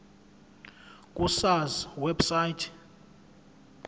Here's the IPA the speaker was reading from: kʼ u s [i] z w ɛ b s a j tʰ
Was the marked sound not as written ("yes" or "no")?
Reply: yes